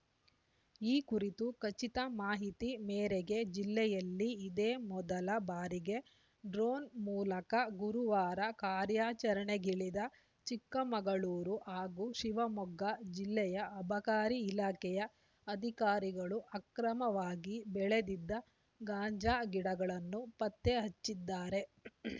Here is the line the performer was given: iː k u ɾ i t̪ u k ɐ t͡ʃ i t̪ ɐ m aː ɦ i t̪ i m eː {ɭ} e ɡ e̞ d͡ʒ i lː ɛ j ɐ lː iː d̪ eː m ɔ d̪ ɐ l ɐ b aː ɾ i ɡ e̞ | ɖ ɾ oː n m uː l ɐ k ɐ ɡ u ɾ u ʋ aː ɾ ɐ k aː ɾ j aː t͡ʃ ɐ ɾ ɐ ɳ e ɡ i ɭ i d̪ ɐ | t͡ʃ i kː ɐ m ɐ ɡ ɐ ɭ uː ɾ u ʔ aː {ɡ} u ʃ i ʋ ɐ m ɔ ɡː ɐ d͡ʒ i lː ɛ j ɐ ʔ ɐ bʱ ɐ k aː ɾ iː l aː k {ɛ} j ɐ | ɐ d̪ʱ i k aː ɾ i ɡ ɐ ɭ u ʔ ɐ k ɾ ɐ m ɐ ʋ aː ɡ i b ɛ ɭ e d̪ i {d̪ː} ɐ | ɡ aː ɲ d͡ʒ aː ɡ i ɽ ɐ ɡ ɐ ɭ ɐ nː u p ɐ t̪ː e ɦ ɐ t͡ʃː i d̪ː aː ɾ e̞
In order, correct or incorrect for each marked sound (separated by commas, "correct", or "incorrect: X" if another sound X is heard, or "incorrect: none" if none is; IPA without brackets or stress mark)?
incorrect: ɾ, correct, correct, correct